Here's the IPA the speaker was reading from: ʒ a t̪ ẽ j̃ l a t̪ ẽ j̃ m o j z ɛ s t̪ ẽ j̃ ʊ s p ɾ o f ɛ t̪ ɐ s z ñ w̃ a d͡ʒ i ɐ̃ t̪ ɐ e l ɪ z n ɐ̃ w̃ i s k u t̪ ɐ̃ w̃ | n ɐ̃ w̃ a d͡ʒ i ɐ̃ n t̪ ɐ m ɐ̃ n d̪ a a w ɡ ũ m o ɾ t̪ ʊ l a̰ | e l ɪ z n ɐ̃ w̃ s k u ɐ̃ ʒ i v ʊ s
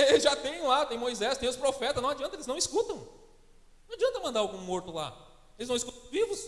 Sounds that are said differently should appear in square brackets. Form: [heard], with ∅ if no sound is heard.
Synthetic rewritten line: ʒ a t̪ ẽ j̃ l a t̪ ẽ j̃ m o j z ɛ s t̪ ẽ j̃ ʊ s p ɾ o f ɛ t̪ ɐ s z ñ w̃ a d͡ʒ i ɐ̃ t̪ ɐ e l ɪ z n ɐ̃ w̃ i s k u t̪ ɐ̃ w̃ | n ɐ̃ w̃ a d͡ʒ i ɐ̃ n t̪ ɐ m ɐ̃ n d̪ a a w ɡ ũ m o ɾ t̪ ʊ l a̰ | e l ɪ z n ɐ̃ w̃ s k u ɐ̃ [v] i v ʊ s

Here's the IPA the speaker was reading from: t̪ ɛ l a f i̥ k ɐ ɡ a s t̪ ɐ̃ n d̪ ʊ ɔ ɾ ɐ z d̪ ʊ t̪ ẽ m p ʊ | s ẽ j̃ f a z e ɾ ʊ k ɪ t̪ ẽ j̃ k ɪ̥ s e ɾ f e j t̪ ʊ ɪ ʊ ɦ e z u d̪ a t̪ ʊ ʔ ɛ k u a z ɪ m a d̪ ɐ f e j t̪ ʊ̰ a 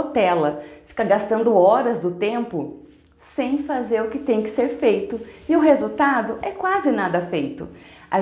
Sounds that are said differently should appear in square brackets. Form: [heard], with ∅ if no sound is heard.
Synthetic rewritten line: t̪ ɛ l [ɐ] f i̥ k ɐ ɡ a s t̪ ɐ̃ n d̪ ʊ ɔ ɾ ɐ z d̪ ʊ t̪ ẽ m p ʊ | s ẽ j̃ f a z e ɾ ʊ k ɪ t̪ ẽ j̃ k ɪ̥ s e ɾ f e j t̪ ʊ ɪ ʊ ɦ e z u [t̪] a [d̪] ʊ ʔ ɛ k [w] a z ɪ [n] a d̪ ɐ f e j t̪ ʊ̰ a

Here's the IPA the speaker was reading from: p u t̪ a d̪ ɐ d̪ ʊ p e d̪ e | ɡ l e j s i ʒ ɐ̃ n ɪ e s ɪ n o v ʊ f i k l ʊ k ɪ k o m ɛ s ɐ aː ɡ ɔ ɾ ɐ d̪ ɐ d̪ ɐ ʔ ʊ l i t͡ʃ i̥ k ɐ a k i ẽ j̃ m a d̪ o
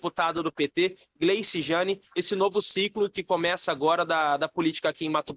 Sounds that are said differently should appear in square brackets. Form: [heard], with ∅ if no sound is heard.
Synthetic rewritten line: p u t̪ a d̪ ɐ d̪ ʊ p e [t̪] e | ɡ l e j s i ʒ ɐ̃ n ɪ e s ɪ n o v ʊ [s] i k l ʊ k ɪ k o m ɛ s ɐ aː ɡ ɔ ɾ ɐ d̪ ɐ d̪ ɐ [p] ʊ l i t͡ʃ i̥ k ɐ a k i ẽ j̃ m a [t̪] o

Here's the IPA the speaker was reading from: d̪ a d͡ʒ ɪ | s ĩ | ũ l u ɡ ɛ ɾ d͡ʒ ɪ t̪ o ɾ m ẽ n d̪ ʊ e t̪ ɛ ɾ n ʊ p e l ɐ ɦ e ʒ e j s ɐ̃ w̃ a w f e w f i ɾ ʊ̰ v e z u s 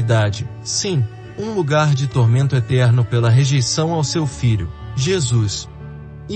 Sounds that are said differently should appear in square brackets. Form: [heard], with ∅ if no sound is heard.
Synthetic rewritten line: d̪ a d͡ʒ ɪ | s ĩ | ũ l u ɡ [a] ɾ d͡ʒ ɪ t̪ o ɾ m ẽ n [t̪] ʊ e t̪ ɛ ɾ n ʊ p e l ɐ ɦ e ʒ e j s ɐ̃ w̃ a w [s] e w f i [ʎ] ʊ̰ [ʒ] e z u s

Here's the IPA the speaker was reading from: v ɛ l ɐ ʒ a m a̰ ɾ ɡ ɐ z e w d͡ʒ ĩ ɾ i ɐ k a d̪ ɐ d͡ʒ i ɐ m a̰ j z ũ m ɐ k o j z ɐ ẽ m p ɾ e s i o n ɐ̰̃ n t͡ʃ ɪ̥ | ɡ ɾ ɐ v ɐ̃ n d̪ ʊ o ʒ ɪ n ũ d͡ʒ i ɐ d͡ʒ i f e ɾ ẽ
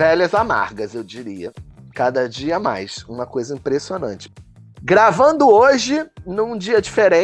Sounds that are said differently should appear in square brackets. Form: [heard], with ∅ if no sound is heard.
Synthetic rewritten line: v ɛ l ɐ [z] a m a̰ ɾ ɡ ɐ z e w d͡ʒ [i] ɾ i ɐ k a d̪ ɐ d͡ʒ i ɐ m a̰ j [s] ũ m ɐ k o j z ɐ [ĩ] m p ɾ e s i o n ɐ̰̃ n t͡ʃ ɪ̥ | ɡ ɾ [a] v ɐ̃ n d̪ ʊ o ʒ ɪ n ũ d͡ʒ i ɐ d͡ʒ i f e ɾ ẽ

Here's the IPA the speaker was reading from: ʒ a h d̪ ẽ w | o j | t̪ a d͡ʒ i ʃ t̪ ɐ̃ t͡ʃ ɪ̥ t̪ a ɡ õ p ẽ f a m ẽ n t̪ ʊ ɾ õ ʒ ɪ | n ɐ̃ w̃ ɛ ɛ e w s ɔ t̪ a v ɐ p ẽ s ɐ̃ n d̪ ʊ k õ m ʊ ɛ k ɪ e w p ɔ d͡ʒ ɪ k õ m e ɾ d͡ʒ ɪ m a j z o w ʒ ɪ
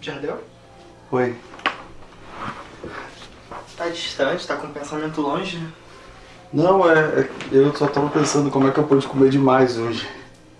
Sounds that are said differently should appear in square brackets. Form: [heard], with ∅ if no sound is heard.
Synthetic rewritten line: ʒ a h d̪ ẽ w | o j | t̪ a d͡ʒ i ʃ t̪ ɐ̃ t͡ʃ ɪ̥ t̪ a [k] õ p ẽ [s] a m ẽ n t̪ ʊ [l] õ ʒ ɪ | n ɐ̃ w̃ ɛ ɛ e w s ɔ t̪ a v ɐ p ẽ s ɐ̃ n d̪ ʊ k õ m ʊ ɛ k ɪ e w p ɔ d͡ʒ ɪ k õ m e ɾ d͡ʒ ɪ m a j z o [∅] ʒ ɪ

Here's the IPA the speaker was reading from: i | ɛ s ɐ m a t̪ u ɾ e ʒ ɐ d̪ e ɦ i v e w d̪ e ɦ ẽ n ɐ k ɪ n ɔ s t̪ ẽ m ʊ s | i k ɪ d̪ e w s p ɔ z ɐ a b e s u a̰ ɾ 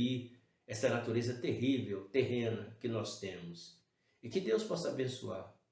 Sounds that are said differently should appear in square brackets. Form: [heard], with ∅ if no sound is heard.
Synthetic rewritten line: i | ɛ s ɐ [n] a t̪ u ɾ e [z] ɐ [t̪] e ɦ i v e w [t̪] e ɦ ẽ n ɐ k ɪ n ɔ s t̪ ẽ m ʊ s | [ɪ] k ɪ d̪ e w s p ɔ [s] ɐ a b [ẽ] s u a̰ ɾ

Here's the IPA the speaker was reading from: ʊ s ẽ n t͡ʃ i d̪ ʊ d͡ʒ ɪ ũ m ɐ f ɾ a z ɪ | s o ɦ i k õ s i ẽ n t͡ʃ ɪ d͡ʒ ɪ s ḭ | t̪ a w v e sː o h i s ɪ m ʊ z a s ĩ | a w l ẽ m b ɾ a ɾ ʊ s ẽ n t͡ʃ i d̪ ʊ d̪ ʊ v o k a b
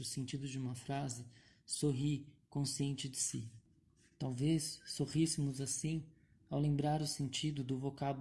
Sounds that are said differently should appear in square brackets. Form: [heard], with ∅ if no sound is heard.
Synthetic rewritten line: ʊ s ẽ n t͡ʃ i d̪ ʊ d͡ʒ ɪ ũ m ɐ f ɾ a z ɪ | s o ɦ i k õ s i ẽ n t͡ʃ ɪ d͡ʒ ɪ s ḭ | t̪ a w v e sː o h i s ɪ m ʊ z a s ĩ | a w l ẽ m b ɾ a ɾ ʊ s ẽ n t͡ʃ i d̪ ʊ d̪ ʊ v o k a b

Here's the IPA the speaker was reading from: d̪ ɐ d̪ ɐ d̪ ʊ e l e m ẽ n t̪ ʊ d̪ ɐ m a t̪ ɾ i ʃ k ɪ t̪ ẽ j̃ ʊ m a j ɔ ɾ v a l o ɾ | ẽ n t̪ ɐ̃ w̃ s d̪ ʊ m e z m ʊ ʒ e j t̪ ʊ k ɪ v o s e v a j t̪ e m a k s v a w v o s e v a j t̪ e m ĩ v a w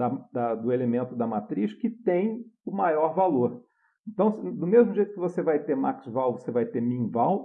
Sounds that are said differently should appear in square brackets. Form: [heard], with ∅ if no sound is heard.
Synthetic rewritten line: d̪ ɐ d̪ ɐ d̪ ʊ e l e m ẽ n t̪ ʊ d̪ ɐ m a t̪ ɾ i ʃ k ɪ t̪ ẽ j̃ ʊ m a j ɔ ɾ v a l o ɾ | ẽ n t̪ ɐ̃ w̃ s d̪ ʊ m e z m ʊ ʒ e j t̪ ʊ k ɪ v o s e v a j t̪ e m a k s v a w v o s e v a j t̪ e m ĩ v a w

